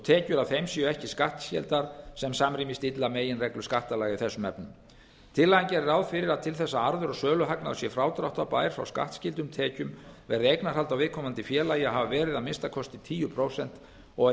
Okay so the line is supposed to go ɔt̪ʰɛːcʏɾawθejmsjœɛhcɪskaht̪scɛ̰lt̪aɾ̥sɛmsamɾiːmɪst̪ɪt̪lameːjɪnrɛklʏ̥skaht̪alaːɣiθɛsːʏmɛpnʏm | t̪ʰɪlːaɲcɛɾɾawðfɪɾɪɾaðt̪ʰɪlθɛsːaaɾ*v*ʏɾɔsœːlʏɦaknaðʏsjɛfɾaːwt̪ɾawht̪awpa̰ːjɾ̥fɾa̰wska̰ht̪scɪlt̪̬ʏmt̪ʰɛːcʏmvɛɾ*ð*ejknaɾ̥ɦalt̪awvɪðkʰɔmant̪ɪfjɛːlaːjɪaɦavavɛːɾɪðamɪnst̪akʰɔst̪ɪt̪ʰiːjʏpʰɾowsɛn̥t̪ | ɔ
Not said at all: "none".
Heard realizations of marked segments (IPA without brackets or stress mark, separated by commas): ð, ð